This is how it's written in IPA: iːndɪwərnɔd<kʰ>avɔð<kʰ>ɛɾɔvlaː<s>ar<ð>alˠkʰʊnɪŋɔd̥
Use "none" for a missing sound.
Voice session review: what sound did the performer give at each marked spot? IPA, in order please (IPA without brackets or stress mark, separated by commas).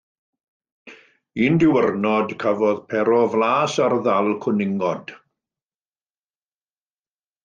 kʰ, pʰ, s, ð